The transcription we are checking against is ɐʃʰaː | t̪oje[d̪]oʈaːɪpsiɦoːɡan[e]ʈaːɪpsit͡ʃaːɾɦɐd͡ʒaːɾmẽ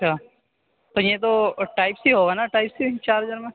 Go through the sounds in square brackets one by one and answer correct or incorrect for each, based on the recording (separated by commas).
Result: incorrect, incorrect